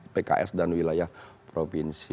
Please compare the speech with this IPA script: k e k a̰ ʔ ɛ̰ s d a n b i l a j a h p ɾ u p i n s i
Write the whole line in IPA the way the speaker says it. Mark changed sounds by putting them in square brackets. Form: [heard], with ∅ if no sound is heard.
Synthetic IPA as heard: [p] e k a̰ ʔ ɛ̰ s d a n [w] i l a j a h p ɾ [o] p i n s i